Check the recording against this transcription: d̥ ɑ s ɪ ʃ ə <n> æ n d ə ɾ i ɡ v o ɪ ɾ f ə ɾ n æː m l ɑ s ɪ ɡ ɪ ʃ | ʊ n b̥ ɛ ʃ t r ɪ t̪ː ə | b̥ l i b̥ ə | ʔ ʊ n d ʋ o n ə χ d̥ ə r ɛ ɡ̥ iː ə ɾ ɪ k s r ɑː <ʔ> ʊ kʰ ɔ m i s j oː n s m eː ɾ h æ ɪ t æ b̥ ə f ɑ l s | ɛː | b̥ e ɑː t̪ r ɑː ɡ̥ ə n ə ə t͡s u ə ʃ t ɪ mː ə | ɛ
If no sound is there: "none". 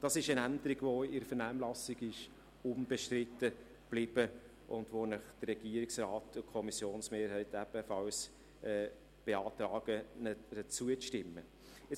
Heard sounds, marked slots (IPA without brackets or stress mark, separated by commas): n, t